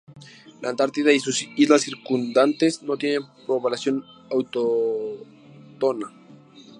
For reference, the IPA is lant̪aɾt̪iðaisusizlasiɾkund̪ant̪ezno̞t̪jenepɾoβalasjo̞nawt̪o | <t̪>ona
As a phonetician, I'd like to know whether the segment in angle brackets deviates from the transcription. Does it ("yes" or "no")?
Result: no